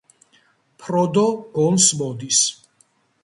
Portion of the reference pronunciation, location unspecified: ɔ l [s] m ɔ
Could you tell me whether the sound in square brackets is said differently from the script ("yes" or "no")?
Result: no